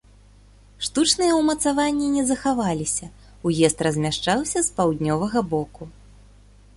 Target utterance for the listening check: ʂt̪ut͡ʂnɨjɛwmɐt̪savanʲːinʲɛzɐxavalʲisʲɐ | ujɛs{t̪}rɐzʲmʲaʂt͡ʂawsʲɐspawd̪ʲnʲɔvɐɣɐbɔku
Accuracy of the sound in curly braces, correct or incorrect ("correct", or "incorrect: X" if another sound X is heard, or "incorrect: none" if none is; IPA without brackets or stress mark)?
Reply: correct